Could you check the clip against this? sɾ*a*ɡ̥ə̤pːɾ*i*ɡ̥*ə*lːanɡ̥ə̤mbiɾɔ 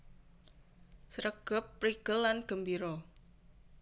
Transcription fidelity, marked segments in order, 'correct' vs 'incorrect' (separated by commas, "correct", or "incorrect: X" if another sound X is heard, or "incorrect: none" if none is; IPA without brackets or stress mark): incorrect: ə, correct, correct